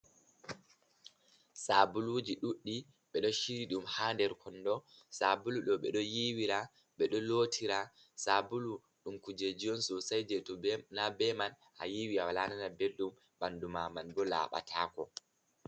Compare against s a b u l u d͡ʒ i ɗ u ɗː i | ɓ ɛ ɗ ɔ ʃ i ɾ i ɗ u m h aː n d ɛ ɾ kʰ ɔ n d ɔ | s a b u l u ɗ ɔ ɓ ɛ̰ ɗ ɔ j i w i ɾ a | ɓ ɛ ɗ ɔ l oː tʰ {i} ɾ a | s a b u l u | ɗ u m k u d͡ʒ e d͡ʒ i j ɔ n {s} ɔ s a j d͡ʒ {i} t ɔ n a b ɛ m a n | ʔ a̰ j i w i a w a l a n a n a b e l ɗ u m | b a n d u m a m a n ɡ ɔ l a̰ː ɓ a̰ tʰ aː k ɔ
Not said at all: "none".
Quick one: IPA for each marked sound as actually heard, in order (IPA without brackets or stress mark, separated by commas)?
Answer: i, s, ɛ